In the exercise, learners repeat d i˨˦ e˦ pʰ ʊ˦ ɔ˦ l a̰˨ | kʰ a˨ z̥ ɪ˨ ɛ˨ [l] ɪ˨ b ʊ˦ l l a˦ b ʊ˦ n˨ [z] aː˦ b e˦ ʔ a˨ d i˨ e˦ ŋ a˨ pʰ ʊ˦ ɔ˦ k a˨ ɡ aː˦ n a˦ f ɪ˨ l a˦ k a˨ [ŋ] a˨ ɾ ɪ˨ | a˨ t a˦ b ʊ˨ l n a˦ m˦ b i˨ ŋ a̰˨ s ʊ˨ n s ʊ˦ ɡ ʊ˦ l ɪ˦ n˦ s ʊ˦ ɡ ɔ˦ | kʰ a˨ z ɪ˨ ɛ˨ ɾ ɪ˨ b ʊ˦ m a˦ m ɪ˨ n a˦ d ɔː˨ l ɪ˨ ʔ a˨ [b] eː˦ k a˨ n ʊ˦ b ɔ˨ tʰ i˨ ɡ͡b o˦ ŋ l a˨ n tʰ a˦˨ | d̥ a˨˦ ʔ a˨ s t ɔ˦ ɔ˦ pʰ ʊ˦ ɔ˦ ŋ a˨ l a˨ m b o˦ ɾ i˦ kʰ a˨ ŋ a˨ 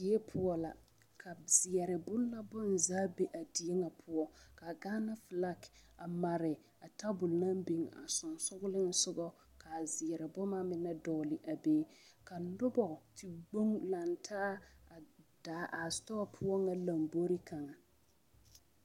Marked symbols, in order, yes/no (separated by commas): no, yes, no, yes